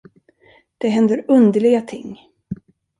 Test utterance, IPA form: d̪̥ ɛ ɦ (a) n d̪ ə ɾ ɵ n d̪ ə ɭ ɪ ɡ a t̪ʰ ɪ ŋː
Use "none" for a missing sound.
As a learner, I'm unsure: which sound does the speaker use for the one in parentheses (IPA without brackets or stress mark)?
ɛ